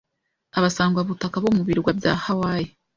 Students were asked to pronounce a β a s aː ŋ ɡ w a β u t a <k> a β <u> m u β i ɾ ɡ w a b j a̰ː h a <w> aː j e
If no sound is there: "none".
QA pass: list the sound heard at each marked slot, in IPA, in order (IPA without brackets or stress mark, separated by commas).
k, o, w